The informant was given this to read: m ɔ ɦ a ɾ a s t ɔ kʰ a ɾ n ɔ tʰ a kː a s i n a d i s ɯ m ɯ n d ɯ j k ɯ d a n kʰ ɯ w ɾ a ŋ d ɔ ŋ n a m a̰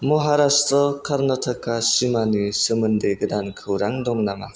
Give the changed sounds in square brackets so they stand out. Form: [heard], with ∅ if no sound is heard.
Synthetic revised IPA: m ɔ ɦ a ɾ a s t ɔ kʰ a ɾ n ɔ tʰ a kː a s i [m] a [n] i s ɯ m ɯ n d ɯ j [ɡ] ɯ d a n kʰ ɯ w ɾ a ŋ d ɔ ŋ n a m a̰